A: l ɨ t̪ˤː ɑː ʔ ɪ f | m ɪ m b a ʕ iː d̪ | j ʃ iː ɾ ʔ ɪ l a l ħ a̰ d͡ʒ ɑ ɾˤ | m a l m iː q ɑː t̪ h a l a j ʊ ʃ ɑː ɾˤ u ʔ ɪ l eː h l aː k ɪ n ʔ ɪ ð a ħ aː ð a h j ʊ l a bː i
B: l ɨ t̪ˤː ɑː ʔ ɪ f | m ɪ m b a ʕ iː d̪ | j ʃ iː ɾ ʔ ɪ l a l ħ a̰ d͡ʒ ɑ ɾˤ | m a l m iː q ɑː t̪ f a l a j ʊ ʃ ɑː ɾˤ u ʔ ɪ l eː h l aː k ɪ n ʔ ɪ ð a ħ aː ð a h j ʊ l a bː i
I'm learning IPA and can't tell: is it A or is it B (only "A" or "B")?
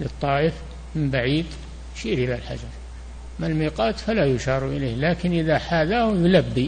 B